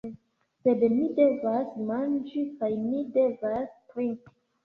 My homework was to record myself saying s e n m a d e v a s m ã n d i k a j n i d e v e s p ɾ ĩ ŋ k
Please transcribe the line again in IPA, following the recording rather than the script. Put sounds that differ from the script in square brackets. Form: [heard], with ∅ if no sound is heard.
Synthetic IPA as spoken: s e [d] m [i] d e v a s m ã n [d͡ʒ] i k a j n i d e v [a] s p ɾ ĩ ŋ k